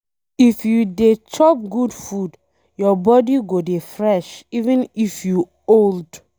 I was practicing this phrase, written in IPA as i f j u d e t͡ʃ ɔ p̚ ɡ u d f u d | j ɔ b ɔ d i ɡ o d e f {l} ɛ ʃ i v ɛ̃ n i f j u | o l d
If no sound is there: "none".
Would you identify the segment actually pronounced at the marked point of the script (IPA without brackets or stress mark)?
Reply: ɹ